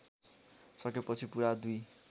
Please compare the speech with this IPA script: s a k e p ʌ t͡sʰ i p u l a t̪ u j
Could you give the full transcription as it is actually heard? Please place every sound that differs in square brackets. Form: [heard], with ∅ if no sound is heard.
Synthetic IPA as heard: s [ʌ] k e p ʌ t͡sʰ i p u [ɾ] a [d̪] u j

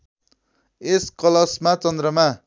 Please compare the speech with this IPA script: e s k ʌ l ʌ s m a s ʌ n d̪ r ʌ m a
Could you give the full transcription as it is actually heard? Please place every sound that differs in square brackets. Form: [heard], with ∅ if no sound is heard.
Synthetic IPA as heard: e s k ʌ l ʌ s m a [t͡s] ʌ n d̪ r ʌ m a

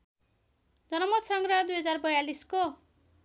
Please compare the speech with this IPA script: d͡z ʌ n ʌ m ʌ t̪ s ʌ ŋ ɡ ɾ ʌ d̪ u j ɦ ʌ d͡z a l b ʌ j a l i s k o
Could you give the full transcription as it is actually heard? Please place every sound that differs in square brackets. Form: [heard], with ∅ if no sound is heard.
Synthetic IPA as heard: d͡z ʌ n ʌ m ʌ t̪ s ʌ ŋ ɡ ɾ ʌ d̪ u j ɦ ʌ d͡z a [r] b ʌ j a l i s k o

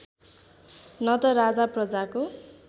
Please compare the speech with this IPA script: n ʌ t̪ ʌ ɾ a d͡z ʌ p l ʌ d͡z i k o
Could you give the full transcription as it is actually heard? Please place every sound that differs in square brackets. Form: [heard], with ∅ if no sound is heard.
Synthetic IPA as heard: n ʌ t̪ ʌ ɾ a d͡z [a] p [r] ʌ d͡z [a] k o

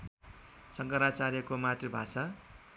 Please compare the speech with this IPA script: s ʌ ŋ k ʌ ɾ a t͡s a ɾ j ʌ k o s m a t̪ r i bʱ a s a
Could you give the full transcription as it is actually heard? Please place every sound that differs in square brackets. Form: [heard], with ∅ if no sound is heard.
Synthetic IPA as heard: s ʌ ŋ k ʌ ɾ a t͡s a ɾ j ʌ k o [∅] m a t̪ r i bʱ a s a

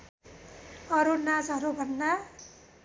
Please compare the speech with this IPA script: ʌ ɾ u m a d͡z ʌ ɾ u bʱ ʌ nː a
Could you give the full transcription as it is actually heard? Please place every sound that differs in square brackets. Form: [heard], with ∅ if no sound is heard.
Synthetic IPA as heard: ʌ ɾ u [n] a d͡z ʌ ɾ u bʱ ʌ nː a

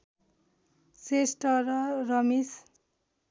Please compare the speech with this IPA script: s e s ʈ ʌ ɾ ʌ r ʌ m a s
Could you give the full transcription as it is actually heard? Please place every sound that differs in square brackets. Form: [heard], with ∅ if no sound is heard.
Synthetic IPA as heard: s e s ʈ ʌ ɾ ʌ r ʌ m [i] s

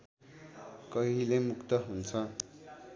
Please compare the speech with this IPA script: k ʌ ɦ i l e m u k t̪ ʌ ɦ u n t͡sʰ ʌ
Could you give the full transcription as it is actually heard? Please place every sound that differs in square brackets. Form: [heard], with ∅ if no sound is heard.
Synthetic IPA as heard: k ʌ ɦ i l e m u k t̪ ʌ ɦ u n t͡sʰ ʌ

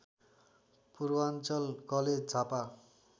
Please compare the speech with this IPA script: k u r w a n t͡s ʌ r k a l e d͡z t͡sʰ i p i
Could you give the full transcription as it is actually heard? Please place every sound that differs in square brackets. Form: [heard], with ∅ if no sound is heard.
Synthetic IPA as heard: [p] u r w a n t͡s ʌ [l] k [ʌ] l e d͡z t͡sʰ [a] p [a]

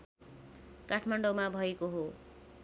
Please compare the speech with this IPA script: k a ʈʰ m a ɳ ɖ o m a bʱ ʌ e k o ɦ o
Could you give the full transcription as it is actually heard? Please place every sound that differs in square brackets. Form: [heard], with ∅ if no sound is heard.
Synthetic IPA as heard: k a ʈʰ m a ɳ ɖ o m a bʱ ʌ e k o ɦ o

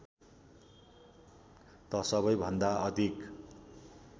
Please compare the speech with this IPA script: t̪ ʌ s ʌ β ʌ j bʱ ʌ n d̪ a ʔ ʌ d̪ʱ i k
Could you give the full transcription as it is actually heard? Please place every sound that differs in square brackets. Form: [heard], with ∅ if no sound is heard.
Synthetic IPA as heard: t̪ ʌ s ʌ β ʌ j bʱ ʌ n d̪ a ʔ ʌ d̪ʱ i k

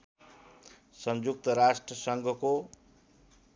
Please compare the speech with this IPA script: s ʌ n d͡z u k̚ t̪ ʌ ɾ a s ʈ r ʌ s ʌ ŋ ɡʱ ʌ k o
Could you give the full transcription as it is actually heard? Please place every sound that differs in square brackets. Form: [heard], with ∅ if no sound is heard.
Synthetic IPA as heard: s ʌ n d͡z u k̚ t̪ ʌ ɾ a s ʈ r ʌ s ʌ ŋ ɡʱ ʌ k o

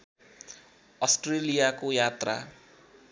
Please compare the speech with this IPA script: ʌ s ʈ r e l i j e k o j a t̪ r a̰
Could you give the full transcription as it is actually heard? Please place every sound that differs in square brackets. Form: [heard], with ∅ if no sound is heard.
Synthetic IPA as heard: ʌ s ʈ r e l i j [a] k o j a t̪ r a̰

